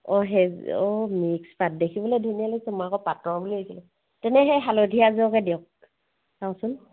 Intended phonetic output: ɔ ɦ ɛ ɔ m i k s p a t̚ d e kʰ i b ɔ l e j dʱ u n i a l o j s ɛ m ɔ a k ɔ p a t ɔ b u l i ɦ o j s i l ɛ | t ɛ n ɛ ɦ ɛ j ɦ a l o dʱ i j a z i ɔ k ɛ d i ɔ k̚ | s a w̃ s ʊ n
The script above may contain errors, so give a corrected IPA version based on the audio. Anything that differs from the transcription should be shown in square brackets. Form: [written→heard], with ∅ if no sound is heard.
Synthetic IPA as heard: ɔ ɦ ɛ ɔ m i k s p a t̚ d e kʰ i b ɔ l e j dʱ u n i a l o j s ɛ m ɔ a k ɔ p a t ɔ b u l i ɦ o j s i l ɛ | t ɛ n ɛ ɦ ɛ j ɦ a l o dʱ i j a z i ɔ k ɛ d i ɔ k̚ | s a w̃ s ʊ n